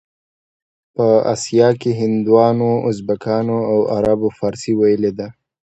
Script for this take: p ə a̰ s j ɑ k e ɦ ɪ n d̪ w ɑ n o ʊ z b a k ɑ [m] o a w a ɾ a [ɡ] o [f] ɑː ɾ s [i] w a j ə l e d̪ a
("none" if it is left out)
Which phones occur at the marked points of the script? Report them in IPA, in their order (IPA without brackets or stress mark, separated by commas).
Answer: n, b, f, i